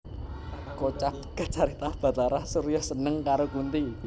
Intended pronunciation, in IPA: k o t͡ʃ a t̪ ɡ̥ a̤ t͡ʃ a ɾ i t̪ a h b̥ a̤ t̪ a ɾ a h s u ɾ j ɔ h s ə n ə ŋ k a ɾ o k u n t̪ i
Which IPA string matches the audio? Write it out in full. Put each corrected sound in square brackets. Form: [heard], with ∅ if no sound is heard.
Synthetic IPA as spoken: k o t͡ʃ a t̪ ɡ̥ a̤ t͡ʃ a ɾ i t̪ a h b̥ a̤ t̪ a ɾ a h s u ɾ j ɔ h s ə n ə ŋ k a ɾ o k u n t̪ i